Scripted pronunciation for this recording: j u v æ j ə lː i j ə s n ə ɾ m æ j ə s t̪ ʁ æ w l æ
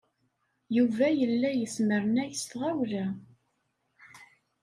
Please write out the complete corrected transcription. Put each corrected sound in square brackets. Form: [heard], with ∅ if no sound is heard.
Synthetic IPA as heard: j u v æ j ə lː [æ] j ə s [m] ə ɾ [n] æ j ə s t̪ ʁ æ w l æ